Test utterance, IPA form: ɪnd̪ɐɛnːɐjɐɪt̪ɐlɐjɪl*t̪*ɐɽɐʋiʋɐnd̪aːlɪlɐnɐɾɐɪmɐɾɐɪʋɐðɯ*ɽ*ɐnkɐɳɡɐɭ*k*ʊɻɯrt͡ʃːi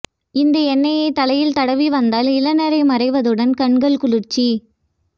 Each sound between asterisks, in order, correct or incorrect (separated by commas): correct, correct, correct